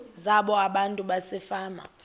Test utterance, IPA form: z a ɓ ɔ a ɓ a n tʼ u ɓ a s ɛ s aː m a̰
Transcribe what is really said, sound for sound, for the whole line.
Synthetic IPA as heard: z a ɓ ɔ a ɓ a n tʼ u ɓ a s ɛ f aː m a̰